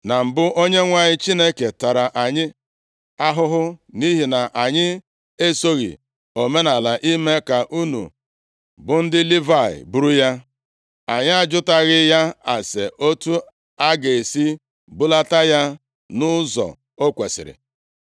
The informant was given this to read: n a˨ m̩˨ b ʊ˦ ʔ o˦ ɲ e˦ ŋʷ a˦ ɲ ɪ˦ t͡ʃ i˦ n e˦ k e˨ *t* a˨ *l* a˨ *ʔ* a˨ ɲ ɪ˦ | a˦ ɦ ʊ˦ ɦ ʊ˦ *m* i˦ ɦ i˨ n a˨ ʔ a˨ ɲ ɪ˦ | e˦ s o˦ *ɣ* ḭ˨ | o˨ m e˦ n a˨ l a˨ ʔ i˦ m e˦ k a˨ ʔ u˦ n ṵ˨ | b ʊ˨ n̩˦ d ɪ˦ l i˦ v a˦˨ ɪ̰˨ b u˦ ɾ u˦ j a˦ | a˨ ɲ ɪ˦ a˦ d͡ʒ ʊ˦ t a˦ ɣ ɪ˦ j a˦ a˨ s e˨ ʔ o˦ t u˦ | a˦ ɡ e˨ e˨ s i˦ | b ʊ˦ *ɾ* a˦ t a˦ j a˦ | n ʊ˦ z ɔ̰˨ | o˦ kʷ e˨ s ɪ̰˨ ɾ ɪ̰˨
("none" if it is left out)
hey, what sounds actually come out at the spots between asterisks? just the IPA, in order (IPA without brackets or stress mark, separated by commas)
t, ɾ, ʔ, n, ɣ, l